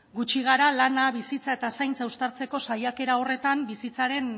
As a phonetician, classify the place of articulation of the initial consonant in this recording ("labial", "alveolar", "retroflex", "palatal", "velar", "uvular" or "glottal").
velar